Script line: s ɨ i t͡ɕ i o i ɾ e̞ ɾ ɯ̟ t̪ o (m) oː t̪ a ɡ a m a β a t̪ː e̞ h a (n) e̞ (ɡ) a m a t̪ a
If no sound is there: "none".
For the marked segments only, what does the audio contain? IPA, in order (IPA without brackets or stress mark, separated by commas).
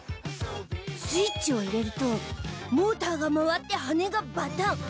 m, n, ɡ